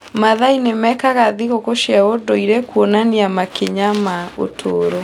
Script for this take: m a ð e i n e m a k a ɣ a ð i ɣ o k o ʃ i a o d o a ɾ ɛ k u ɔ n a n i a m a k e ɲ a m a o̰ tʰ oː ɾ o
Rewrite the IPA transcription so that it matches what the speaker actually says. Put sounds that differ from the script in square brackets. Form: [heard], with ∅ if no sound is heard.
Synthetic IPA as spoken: m a ð [a] i n e m [ɛ] k a ɣ a ð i ɣ o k o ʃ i a o d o [i] ɾ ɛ k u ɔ n a n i a m a k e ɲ a m a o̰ tʰ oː ɾ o